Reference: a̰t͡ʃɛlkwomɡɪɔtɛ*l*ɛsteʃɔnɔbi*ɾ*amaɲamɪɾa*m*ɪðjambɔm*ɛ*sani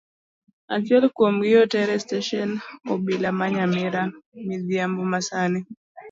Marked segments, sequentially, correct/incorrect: incorrect: ɾ, incorrect: l, correct, incorrect: a

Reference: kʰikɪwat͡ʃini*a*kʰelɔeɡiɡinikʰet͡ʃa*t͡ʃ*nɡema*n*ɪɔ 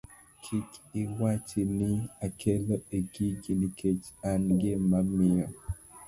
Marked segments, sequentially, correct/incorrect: correct, incorrect: none, incorrect: m

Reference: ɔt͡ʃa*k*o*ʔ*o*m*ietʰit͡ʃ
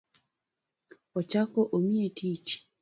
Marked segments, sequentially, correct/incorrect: correct, correct, correct

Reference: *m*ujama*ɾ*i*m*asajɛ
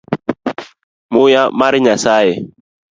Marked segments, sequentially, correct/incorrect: correct, correct, incorrect: ɲ

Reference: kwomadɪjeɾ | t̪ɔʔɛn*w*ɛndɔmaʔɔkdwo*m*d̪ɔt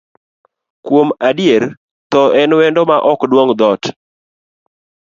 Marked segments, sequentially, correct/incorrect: correct, incorrect: ŋ

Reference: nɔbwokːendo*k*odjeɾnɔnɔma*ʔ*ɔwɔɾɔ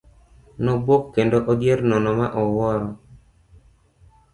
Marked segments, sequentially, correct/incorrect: incorrect: ʔ, correct

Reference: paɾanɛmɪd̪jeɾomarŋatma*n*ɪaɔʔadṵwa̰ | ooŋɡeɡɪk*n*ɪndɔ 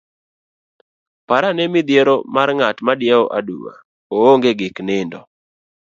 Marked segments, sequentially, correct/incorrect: incorrect: d, correct

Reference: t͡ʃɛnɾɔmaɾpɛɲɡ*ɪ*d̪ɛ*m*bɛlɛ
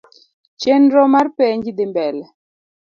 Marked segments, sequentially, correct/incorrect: incorrect: i, correct

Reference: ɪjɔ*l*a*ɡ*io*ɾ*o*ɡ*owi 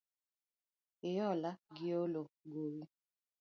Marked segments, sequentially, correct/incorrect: correct, correct, incorrect: l, correct

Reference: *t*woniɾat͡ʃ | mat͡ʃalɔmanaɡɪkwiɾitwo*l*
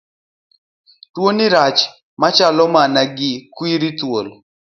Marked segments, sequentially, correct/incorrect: correct, correct

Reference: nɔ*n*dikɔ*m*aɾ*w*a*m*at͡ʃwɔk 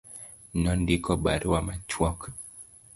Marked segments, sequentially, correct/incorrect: correct, incorrect: b, correct, correct

